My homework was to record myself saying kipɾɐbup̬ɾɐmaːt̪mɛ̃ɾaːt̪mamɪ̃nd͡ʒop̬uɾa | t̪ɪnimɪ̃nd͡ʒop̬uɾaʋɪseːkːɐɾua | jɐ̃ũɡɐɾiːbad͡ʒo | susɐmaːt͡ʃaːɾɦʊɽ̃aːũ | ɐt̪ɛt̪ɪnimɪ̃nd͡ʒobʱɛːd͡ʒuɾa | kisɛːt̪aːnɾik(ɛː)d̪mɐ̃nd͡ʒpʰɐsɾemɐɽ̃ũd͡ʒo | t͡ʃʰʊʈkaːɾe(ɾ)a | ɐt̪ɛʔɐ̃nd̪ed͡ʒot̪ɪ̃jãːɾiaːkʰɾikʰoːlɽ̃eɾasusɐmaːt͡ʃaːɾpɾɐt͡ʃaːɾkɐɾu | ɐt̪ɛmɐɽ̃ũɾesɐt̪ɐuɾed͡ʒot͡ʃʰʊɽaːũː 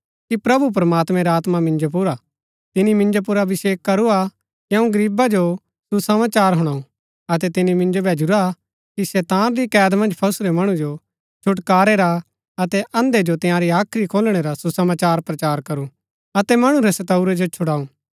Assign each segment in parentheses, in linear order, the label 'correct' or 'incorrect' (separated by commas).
correct, correct